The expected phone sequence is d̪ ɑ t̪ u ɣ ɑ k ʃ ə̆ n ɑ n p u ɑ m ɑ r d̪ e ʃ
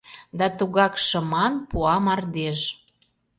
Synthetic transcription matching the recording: d̪ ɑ t̪ u ɣ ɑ k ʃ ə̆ m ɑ n p u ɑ m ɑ r d̪ e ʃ